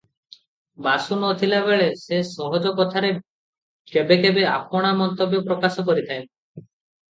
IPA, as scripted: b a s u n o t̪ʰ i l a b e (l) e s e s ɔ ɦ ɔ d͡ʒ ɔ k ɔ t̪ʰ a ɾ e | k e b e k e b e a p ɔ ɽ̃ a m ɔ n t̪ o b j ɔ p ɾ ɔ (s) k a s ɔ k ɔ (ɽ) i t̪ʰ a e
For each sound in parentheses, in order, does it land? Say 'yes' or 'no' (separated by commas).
no, no, no